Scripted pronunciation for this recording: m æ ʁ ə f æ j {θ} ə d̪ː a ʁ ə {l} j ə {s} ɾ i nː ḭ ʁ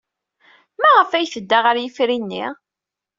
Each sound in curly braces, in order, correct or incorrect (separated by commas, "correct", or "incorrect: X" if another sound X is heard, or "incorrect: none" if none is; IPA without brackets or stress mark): correct, incorrect: ɾ, incorrect: f